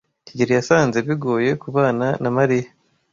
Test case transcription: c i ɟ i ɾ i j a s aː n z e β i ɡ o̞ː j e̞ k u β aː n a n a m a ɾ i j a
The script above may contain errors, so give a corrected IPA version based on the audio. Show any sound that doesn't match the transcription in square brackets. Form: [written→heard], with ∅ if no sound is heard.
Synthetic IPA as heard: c i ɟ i ɾ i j a s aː n z e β i ɡ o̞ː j e̞ k u β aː n a n a m a ɾ i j a